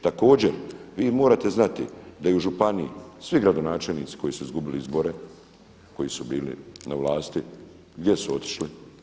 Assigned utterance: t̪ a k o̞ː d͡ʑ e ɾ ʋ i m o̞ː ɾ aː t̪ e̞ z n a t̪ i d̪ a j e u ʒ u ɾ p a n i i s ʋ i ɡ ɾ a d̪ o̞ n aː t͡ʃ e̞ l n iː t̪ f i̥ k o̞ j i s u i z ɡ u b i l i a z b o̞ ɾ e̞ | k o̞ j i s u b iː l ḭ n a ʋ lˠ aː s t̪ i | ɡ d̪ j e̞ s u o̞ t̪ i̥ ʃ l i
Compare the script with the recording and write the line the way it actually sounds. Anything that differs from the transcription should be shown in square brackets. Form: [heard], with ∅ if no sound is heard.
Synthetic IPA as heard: t̪ a k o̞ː d͡ʑ e ɾ ʋ [iː] m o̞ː ɾ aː t̪ e̞ z n a t̪ i d̪ a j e u ʒ u [∅] p a n i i s ʋ i ɡ ɾ a d̪ o̞ n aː t͡ʃ e̞ l n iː t̪ [s] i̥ k o̞ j i s u i z ɡ u b i l i [i] z b o̞ ɾ e̞ | k o̞ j i s u b iː l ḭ n a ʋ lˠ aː s t̪ i | ɡ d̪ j e̞ s u o̞ t̪ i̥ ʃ l i

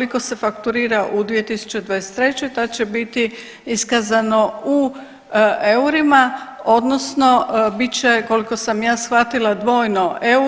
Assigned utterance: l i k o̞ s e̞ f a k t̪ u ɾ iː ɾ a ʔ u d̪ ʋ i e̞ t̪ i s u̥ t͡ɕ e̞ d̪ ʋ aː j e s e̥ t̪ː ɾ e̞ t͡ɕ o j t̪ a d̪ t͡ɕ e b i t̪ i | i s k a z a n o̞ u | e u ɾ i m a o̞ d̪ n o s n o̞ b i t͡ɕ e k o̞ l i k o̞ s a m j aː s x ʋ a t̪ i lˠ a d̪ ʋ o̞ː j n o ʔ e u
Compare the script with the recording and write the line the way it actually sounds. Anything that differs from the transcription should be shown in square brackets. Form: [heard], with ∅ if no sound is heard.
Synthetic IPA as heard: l i k o̞ s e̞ f a k t̪ u ɾ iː ɾ a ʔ u d̪ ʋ i e̞ t̪ i s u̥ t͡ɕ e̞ d̪ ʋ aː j e s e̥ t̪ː ɾ e̞ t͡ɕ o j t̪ a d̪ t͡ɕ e b i t̪ i | i s k a z a n o̞ u | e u ɾ i m a o̞ d̪ n o s n o̞ b i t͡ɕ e k o̞ l i k o̞ s a m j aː s x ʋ a t̪ i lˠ a d̪ ʋ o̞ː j n o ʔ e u

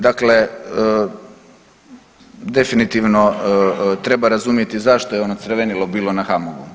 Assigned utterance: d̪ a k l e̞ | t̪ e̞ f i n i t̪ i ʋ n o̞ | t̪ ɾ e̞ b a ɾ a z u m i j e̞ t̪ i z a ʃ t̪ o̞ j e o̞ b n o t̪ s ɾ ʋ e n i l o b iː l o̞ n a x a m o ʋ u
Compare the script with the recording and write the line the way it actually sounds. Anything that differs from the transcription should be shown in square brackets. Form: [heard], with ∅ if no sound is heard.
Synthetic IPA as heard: d̪ a k l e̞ | [d̪] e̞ f i n i t̪ i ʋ n o̞ | t̪ ɾ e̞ b a ɾ a z u m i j e̞ t̪ i z a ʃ t̪ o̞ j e o̞ [∅] n o t̪ s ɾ ʋ e n i l o b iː l o̞ n a x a m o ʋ u

